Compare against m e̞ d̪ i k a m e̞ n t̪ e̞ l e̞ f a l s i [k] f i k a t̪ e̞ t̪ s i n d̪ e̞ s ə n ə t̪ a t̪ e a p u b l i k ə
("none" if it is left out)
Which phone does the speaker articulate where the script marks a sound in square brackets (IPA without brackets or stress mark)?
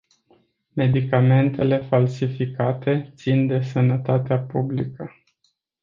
none